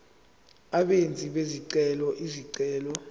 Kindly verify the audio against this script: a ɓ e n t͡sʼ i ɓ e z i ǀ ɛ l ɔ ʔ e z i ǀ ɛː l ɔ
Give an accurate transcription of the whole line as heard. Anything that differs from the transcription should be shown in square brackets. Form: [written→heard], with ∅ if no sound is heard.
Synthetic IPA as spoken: a ɓ e n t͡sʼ i ɓ e z i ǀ ɛ l ɔ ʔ [e→i] z i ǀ ɛː l ɔ